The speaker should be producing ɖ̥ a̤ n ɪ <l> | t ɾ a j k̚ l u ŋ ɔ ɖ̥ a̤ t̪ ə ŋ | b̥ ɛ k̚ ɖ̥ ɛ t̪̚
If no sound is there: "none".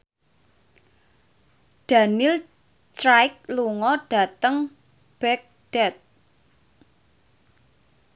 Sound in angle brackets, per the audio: l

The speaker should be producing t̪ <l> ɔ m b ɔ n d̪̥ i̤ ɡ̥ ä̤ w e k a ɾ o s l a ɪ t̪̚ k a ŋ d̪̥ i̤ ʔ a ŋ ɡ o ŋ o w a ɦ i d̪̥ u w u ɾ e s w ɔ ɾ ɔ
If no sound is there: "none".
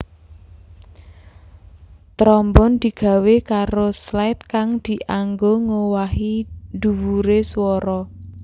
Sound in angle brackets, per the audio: ɾ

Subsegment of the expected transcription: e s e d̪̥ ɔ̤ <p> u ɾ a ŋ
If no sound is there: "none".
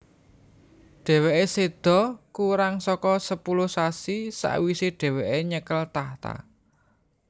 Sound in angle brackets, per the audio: k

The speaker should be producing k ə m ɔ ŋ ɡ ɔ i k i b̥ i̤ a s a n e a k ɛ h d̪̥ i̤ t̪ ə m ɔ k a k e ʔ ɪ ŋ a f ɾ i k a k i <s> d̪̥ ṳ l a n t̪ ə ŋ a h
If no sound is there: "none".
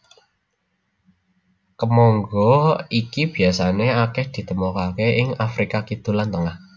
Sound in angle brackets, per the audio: none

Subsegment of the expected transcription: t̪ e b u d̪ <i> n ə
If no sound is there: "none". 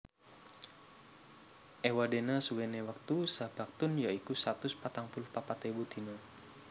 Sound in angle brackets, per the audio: i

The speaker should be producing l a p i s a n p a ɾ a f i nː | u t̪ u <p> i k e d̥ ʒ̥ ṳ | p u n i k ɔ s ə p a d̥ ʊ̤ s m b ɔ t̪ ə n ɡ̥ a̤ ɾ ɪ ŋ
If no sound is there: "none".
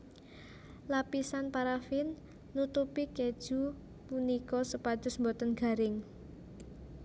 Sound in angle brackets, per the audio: p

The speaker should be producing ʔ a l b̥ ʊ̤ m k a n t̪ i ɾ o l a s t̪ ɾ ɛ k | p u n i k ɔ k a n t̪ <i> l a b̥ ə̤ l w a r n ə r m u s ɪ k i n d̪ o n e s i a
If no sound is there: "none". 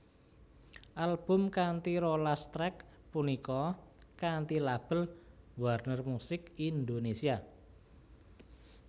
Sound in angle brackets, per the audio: i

